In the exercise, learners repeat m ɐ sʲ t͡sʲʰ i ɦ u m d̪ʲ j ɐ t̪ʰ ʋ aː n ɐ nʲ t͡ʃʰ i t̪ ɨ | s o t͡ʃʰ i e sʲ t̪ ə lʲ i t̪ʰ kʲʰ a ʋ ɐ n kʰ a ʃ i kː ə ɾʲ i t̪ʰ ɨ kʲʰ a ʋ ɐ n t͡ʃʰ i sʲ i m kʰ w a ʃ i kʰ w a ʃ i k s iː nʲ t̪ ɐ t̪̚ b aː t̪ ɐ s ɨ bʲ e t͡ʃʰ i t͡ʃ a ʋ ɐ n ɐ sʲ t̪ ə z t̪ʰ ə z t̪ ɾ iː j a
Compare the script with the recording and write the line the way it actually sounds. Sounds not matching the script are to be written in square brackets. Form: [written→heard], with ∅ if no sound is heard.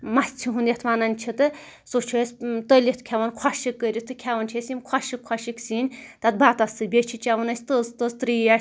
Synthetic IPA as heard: m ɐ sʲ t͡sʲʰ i ɦ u [m→n] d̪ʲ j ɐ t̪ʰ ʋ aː n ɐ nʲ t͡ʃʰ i t̪ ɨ | s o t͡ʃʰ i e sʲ t̪ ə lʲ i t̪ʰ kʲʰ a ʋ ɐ n kʰ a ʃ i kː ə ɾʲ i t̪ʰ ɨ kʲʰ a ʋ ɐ n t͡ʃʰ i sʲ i m kʰ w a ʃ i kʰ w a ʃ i k s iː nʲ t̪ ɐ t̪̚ b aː t̪ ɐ s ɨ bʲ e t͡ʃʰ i t͡ʃ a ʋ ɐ n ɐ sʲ t̪ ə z [t̪ʰ→t̪] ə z t̪ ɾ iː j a